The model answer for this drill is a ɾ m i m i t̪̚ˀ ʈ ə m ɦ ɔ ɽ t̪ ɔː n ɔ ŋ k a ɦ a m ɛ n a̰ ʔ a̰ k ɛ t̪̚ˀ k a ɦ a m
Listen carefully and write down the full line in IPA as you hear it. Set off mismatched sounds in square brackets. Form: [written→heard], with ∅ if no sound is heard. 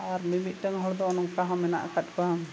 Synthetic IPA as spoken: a ɾ m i m i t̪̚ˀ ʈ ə [m→ŋ] ɦ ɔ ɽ [t̪→d̪] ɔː n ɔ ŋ k a ɦ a m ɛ n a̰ ʔ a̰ k [ɛ→a] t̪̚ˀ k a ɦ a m